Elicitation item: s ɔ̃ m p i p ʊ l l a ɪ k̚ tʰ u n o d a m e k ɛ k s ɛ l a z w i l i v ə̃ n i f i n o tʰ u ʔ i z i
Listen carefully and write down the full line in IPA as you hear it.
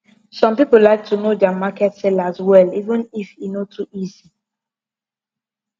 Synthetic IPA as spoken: s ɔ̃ m p i p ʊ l l a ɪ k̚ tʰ u n o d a m a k ɛ t s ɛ l a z w ɛ l i v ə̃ n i f i n o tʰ u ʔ i z i